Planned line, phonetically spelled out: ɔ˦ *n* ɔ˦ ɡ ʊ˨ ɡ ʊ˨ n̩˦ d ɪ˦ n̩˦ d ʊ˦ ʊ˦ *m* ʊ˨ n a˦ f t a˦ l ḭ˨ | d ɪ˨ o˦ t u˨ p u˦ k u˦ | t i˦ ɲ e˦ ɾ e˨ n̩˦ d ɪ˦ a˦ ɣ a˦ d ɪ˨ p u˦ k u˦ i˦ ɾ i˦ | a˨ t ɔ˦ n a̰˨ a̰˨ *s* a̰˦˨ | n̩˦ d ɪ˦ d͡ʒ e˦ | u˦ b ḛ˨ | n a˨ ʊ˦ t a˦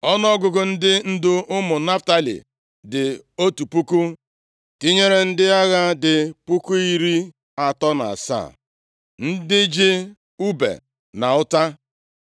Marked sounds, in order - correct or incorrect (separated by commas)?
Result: correct, correct, correct